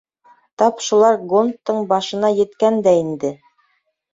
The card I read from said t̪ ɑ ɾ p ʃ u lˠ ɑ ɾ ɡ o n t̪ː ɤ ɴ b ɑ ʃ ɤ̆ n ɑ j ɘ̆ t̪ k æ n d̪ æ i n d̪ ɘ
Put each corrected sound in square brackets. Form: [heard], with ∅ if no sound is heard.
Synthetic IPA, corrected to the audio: t̪ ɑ [∅] p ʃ u lˠ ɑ ɾ ɡ o n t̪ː ɤ ɴ b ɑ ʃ ɤ̆ n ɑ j ɘ̆ t̪ k æ n d̪ æ i n d̪ ɘ